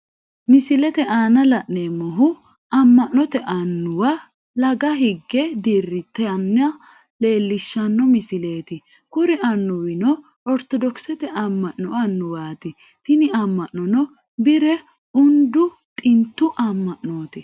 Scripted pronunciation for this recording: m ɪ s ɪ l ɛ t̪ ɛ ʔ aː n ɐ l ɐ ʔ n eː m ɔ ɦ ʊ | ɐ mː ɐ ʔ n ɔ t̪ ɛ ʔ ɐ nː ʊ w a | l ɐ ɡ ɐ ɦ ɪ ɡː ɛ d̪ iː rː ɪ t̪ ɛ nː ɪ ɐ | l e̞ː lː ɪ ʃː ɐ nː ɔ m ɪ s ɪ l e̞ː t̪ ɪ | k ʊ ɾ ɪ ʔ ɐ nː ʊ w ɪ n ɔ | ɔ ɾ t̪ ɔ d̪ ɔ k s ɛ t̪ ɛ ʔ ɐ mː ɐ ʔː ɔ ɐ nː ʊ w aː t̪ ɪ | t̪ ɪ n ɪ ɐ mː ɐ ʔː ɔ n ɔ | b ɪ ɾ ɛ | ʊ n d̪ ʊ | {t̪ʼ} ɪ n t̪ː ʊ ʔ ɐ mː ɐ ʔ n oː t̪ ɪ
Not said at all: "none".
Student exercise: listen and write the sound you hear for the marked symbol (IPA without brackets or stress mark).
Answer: t̪ʼ